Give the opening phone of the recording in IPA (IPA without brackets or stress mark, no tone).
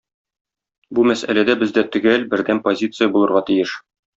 b